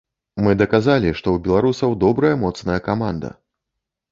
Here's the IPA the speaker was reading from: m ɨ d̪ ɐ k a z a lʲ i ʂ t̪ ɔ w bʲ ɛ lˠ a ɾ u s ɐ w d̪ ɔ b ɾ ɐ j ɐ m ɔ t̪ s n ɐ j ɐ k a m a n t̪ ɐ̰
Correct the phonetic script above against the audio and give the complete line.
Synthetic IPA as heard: m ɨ d̪ ɐ k a z a lʲ i ʂ t̪ ɔ w bʲ ɛ lˠ a ɾ u s ɐ w d̪ ɔ b ɾ ɐ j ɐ m ɔ t̪ s n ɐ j ɐ k a m a n d̪ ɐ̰